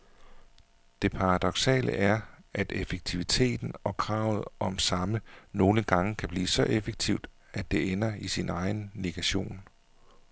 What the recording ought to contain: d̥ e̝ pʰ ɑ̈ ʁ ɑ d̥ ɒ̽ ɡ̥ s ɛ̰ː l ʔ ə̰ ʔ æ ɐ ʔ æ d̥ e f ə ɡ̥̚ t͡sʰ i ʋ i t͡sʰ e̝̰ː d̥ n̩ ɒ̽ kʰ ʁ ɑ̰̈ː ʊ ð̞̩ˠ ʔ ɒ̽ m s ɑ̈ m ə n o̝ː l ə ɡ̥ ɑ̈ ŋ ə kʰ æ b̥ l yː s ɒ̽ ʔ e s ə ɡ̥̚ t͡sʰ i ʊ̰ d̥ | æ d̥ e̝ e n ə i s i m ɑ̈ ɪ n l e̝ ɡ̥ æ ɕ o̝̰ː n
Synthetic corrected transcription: d̥ e̝ pʰ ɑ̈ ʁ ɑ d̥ ɒ̽ ɡ̥ s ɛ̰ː l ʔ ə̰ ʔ æ ɐ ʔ æ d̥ e f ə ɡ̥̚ t͡sʰ i ʋ i t͡sʰ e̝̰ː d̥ n̩ ɒ̽ kʰ ʁ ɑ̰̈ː ʊ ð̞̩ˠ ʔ ɒ̽ m s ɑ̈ m ə n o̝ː l ə ɡ̥ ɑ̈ ŋ ə kʰ æ b̥ l iː s ɒ̽ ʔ e f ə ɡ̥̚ t͡sʰ i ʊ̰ d̥ | æ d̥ e̝ e n ɐ i s i n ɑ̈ ɪ n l e̝ ɡ̥ æ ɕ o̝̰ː n